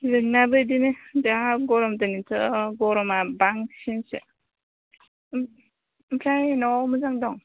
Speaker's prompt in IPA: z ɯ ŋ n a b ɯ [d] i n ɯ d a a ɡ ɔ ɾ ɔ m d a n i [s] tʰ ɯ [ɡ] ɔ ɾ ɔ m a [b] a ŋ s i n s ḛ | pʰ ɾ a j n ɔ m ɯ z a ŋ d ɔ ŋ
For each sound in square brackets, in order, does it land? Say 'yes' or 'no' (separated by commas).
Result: yes, no, yes, yes